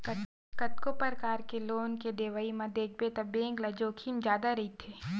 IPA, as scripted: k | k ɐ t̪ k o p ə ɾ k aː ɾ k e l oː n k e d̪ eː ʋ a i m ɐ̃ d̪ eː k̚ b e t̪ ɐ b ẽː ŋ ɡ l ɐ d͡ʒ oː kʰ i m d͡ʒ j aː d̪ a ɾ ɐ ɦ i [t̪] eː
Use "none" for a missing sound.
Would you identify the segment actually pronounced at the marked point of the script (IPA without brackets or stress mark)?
t̪ʰ